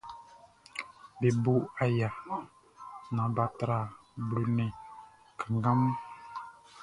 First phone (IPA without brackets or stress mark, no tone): b